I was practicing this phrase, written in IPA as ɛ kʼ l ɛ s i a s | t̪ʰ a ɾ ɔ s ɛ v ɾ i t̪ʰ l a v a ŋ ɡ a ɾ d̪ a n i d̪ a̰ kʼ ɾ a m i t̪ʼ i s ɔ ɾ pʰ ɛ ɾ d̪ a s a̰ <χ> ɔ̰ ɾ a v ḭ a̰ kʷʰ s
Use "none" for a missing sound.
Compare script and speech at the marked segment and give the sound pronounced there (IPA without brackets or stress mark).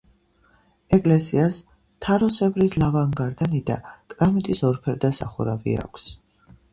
χ